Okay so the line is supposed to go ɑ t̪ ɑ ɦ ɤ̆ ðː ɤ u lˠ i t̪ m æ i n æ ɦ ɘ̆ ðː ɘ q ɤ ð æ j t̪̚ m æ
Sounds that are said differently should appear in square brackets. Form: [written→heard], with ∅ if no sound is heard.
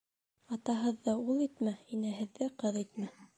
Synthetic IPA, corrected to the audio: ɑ t̪ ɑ ɦ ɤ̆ ðː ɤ u lˠ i t̪ m æ i n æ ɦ ɘ̆ ðː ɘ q ɤ ð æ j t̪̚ m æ